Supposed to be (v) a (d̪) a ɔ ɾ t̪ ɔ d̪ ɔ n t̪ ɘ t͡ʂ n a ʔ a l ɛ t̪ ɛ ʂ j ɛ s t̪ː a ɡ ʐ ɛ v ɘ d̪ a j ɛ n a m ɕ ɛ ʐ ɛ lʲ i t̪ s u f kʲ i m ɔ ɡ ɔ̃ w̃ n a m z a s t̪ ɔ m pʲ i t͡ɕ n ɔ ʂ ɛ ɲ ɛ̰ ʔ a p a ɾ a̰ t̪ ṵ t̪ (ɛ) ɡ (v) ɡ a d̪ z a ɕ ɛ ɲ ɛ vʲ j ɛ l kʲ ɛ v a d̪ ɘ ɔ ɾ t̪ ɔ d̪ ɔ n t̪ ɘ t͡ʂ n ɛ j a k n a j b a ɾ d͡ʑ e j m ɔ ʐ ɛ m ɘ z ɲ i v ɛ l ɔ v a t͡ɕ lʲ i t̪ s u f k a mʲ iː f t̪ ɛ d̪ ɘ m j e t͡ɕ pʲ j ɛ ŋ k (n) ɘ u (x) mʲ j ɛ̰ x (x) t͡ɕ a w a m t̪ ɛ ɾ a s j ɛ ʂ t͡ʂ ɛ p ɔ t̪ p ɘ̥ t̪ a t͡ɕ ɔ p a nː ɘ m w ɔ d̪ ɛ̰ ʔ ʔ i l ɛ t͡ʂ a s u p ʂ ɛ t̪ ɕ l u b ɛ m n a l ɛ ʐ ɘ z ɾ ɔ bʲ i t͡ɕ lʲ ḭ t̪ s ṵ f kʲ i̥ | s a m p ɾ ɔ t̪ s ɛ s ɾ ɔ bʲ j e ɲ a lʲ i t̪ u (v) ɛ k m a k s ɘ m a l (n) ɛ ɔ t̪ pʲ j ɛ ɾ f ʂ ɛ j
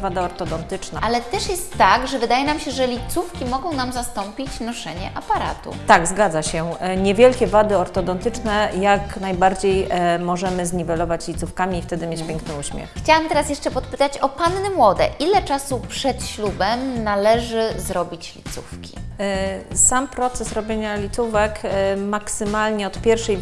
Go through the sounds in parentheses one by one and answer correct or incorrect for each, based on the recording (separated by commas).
correct, correct, incorrect, incorrect, correct, incorrect, correct, correct, incorrect